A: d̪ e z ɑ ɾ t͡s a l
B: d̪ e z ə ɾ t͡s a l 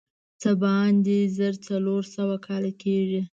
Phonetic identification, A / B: B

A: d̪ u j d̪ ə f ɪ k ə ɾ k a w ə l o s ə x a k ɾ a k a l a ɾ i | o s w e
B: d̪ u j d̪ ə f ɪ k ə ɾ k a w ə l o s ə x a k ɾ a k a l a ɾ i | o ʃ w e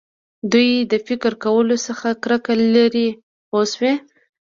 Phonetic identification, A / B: A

